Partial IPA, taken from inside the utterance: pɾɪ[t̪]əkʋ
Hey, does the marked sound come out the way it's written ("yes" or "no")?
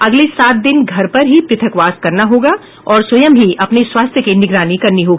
no